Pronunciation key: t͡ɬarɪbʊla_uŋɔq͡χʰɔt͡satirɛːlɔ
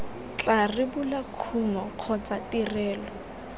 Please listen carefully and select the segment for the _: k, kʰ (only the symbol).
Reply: kʰ